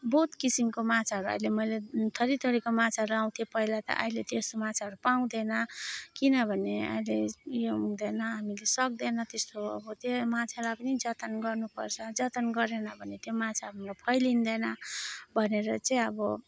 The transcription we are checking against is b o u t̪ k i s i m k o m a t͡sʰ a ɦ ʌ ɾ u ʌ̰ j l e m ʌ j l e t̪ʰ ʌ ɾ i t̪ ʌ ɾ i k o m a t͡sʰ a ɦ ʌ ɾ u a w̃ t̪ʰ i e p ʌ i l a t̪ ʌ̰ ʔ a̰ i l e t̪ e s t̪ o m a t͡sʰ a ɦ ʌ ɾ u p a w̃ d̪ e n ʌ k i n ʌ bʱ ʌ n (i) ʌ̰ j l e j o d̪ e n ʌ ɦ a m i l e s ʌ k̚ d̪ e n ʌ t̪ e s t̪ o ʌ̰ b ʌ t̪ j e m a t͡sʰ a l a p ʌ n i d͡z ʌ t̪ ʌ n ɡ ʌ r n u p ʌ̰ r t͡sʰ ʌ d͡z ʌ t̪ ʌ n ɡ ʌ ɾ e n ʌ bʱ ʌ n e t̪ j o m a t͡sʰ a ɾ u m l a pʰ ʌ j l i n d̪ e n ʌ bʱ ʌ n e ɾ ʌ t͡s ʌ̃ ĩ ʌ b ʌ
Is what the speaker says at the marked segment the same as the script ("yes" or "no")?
no